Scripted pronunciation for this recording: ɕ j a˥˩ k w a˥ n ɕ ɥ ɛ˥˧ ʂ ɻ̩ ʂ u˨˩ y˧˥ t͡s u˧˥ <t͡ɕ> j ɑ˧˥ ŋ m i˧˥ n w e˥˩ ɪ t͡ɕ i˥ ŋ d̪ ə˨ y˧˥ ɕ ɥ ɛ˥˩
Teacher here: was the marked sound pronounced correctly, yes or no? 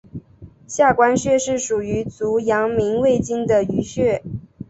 no